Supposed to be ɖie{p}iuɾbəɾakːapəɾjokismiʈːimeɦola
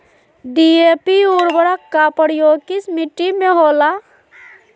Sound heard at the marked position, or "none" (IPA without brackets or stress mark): p